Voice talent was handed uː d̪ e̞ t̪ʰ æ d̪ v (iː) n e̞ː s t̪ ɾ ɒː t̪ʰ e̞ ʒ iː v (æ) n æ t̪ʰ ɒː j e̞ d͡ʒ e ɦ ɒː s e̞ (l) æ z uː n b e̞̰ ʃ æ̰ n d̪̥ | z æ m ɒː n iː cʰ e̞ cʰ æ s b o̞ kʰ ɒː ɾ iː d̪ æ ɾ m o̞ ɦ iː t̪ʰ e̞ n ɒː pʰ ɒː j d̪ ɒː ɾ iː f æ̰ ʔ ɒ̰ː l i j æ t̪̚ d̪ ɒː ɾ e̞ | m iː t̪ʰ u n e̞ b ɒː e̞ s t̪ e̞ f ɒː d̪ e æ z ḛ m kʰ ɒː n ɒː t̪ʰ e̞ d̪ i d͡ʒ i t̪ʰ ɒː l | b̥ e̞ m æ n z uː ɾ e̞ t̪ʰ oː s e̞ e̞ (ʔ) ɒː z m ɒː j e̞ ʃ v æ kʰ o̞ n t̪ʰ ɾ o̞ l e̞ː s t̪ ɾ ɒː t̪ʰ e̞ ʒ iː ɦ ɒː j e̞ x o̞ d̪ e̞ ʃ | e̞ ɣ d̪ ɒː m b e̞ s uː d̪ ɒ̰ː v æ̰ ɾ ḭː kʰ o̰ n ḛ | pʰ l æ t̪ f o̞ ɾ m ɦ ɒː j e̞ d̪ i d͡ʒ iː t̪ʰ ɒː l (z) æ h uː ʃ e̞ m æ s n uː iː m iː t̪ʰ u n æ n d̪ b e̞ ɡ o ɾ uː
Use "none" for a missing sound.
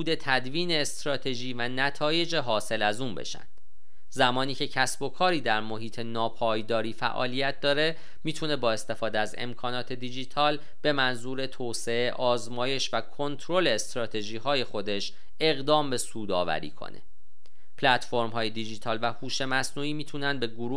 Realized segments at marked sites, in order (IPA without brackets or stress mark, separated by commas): iː, æ, l, ʔ, v